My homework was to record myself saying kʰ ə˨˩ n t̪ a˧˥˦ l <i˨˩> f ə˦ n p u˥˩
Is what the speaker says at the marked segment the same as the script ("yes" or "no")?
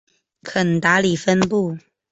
yes